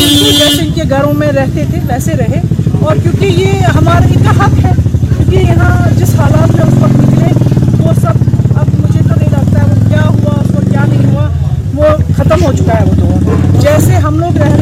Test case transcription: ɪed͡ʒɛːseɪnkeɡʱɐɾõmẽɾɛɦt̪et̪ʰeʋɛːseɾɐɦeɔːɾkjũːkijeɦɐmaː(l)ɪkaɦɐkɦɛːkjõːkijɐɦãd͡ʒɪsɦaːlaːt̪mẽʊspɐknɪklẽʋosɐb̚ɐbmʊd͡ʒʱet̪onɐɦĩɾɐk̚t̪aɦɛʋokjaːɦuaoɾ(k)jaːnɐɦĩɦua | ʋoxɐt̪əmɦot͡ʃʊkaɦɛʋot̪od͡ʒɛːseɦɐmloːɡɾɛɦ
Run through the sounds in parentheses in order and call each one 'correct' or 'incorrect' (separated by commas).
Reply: incorrect, correct